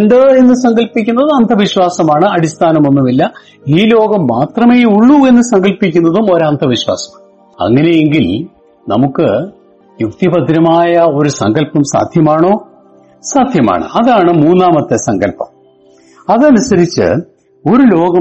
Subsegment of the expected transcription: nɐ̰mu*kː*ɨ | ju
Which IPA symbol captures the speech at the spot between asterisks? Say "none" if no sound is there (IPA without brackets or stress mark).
kː